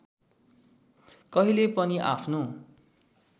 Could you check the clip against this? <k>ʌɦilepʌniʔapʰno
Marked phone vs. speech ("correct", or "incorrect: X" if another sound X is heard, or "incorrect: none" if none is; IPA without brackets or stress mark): correct